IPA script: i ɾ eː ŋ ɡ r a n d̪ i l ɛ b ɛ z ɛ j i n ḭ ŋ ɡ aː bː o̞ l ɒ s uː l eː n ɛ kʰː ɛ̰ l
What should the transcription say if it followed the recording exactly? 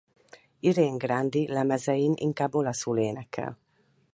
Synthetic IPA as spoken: i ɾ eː ŋ ɡ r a n d̪ i l ɛ m ɛ z ɛ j i n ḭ ŋ k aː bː o̞ l ɒ s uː l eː n ɛ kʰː ɛ̰ l